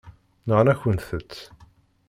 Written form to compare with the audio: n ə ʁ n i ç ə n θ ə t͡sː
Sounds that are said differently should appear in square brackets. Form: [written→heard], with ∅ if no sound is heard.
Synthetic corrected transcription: n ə ʁ n [i→æ] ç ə n θ ə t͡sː